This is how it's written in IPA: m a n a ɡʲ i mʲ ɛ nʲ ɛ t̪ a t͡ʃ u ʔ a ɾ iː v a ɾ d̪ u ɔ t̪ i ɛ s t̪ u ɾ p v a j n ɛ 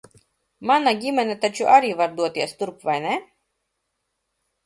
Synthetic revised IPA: m a n a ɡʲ i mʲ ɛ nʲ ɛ t̪ a t͡ʃ u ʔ a ɾ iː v a ɾ d̪ u ɔ t̪ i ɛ s t̪ u ɾ p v a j n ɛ